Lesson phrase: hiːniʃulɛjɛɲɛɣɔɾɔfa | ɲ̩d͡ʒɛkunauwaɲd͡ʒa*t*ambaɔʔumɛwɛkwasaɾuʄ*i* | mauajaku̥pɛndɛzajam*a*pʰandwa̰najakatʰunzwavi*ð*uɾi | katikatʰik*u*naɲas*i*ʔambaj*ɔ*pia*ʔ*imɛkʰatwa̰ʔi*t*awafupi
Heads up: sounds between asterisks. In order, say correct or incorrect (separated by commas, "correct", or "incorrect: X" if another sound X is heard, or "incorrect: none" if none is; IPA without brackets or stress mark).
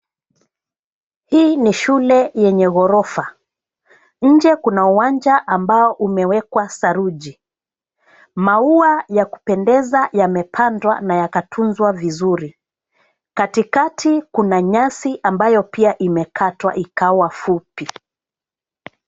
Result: incorrect: ʔ, correct, incorrect: ɛ, incorrect: z, correct, correct, correct, correct, incorrect: k